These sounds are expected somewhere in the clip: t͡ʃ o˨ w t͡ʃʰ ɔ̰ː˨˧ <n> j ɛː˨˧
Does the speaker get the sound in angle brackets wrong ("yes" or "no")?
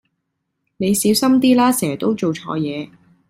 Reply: yes